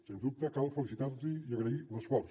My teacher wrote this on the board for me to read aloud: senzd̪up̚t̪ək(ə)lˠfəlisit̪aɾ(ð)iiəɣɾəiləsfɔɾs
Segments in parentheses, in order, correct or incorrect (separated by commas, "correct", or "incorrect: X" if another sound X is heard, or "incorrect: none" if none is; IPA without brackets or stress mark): incorrect: a, incorrect: z